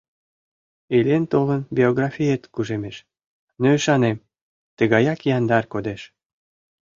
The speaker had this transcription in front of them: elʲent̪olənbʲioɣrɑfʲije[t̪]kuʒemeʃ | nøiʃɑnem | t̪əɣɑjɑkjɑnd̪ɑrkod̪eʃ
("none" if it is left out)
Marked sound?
t̪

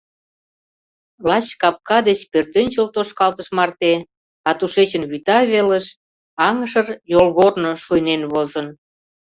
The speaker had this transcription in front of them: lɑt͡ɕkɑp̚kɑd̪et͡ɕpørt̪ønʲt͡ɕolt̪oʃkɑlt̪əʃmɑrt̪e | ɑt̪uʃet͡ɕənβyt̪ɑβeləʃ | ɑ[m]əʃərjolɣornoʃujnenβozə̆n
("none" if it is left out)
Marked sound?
ŋ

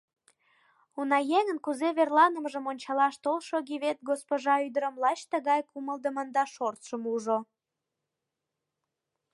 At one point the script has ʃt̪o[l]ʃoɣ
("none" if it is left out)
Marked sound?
l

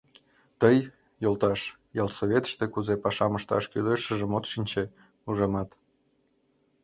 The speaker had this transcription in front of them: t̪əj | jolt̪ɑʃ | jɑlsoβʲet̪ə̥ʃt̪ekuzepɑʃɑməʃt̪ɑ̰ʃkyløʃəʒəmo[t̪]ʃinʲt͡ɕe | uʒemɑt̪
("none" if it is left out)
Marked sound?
t̪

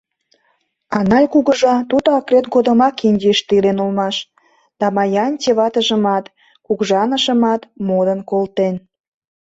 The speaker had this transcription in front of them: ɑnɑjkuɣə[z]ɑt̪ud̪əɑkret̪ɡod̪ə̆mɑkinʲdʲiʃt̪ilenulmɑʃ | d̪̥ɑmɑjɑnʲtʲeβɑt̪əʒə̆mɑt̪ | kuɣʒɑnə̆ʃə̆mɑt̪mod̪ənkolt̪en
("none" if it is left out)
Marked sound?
ʒ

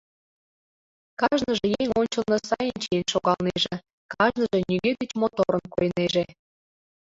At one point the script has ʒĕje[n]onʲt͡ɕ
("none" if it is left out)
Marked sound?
ŋ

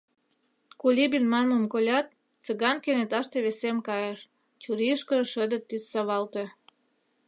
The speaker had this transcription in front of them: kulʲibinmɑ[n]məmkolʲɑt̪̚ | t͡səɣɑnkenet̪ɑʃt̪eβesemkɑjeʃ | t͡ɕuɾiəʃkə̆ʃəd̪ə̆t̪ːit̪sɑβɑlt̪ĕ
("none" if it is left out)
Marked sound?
n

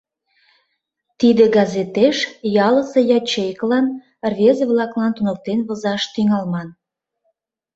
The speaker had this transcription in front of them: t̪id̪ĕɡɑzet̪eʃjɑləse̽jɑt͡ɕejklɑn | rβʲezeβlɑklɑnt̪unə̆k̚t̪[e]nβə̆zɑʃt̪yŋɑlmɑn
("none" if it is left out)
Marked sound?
e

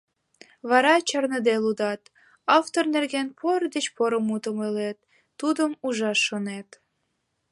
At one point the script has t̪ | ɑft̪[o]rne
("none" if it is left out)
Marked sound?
o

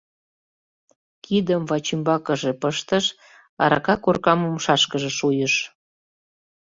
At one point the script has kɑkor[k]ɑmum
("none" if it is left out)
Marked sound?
k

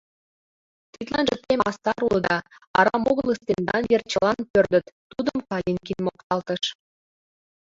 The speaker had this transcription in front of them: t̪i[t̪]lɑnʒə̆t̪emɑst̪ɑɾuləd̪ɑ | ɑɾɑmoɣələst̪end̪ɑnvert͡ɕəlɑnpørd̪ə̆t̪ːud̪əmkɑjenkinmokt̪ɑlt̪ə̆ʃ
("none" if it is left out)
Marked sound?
t̪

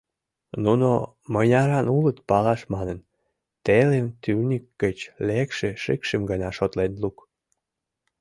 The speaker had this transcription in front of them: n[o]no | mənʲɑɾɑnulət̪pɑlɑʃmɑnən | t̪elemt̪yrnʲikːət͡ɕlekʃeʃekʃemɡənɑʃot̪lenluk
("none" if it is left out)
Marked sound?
u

